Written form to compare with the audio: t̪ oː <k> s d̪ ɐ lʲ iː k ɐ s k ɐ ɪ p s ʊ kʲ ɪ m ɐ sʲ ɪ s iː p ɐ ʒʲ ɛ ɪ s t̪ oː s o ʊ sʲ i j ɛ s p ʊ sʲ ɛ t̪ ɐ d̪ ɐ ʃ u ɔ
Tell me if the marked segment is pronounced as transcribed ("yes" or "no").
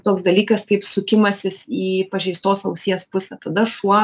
yes